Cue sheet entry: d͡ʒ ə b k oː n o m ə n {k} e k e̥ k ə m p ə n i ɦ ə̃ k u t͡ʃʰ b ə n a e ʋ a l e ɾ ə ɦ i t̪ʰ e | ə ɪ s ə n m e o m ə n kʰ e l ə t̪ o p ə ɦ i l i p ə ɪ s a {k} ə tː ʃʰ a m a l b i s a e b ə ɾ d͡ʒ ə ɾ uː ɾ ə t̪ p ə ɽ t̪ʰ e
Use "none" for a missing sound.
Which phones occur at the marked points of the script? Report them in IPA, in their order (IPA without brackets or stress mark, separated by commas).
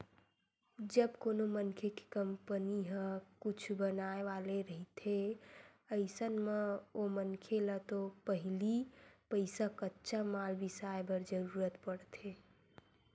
kʰ, k